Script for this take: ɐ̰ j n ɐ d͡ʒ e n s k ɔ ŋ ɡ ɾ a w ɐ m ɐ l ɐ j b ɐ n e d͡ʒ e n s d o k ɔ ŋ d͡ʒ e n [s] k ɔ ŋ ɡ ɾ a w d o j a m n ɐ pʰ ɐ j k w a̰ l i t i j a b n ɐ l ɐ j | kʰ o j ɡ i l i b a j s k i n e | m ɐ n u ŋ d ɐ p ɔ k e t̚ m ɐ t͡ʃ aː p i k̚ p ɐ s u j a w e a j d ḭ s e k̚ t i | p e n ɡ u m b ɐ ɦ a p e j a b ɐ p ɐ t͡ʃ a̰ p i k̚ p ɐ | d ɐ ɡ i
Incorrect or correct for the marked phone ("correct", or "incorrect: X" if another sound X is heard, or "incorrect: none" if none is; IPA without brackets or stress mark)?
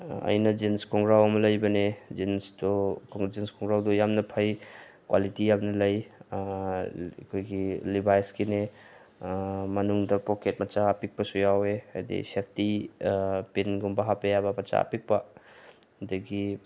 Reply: correct